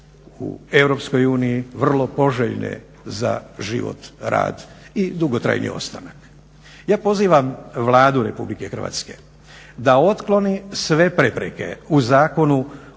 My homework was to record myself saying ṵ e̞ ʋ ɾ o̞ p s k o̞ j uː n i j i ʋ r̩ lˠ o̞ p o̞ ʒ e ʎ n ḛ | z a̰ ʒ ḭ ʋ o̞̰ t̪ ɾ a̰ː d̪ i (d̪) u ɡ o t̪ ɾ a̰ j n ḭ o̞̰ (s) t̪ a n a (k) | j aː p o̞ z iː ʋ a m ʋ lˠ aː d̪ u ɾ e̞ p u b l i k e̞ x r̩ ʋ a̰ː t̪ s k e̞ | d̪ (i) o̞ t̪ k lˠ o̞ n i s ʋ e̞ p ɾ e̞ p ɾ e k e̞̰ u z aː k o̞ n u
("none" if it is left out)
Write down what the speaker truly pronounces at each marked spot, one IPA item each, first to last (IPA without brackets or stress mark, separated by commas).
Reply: d̪, s, k, a